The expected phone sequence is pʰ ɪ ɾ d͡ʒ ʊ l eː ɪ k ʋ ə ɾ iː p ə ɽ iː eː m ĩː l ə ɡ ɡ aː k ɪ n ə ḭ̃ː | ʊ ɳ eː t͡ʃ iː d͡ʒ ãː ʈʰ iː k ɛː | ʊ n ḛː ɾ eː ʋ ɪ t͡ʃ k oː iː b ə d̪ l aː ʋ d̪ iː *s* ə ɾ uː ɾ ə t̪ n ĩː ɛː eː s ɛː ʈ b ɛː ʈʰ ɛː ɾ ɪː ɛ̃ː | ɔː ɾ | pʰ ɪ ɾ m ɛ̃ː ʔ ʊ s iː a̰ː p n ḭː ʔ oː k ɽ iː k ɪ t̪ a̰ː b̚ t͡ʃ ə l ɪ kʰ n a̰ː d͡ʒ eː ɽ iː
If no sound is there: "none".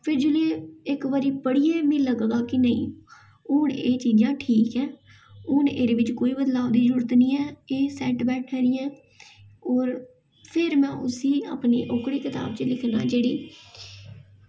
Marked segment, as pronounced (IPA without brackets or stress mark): z